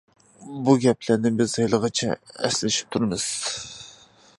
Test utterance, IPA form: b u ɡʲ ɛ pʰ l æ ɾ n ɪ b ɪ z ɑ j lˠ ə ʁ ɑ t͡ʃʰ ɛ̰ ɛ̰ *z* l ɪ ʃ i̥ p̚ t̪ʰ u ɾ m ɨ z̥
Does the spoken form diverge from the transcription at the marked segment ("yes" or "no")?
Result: yes